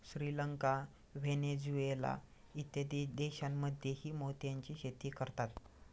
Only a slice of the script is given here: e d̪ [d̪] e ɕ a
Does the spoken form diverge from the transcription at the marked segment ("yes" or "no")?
no